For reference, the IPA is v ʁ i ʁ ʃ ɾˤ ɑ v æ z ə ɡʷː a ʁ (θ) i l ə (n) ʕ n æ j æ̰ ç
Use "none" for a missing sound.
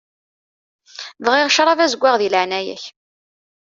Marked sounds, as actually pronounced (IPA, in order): ð, none

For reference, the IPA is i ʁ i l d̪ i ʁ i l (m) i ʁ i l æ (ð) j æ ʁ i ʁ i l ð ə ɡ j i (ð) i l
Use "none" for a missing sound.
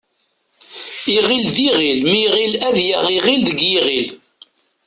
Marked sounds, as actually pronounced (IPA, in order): m, ð, ʁ

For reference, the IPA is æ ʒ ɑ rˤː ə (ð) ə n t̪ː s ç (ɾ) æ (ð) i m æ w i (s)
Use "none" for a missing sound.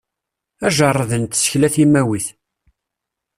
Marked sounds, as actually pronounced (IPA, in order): ð, l, θ, θ

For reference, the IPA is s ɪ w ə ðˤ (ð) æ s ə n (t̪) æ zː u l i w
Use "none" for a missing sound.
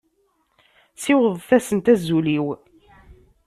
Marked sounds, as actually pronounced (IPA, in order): θ, t̪

